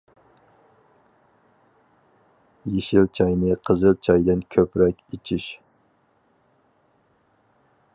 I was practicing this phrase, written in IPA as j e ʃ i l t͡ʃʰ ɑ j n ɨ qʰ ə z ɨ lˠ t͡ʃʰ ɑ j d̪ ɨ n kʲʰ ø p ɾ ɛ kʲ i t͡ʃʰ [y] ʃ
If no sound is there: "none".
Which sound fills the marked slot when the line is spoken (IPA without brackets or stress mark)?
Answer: i